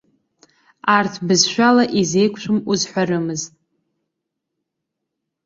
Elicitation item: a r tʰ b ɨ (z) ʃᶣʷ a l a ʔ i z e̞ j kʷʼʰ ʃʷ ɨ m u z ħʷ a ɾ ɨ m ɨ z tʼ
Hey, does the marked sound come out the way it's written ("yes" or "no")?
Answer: yes